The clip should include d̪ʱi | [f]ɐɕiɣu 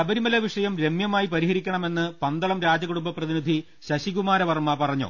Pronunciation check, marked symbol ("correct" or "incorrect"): incorrect